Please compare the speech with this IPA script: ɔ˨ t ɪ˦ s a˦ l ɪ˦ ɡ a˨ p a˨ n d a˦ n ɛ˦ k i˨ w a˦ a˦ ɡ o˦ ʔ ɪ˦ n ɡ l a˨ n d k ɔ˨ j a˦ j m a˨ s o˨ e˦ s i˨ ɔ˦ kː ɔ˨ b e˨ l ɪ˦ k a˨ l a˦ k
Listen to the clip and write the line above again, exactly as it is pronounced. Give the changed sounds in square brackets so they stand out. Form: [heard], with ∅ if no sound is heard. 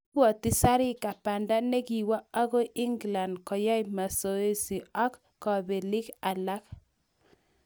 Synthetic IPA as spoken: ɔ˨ t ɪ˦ s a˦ [ɾ] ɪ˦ [k] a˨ p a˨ n d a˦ n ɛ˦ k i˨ w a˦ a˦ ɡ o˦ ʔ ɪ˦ [ŋ] ɡ l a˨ n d k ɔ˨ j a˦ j m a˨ s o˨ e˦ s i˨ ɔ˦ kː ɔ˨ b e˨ l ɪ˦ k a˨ l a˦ k